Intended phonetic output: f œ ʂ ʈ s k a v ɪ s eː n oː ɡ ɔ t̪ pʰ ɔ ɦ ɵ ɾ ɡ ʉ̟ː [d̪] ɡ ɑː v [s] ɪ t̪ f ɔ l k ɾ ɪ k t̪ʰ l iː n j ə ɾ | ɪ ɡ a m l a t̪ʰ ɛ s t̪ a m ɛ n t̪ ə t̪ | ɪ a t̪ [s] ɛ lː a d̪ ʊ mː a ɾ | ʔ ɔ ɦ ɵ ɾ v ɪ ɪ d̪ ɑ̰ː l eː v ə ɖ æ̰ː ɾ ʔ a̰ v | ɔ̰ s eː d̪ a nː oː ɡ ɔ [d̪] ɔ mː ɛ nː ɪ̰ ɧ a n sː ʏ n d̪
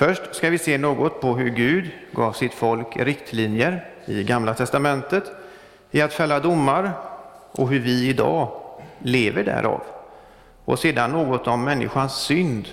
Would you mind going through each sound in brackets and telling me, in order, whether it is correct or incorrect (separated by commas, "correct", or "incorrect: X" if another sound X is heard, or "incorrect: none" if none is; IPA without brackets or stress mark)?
correct, correct, incorrect: f, incorrect: t̪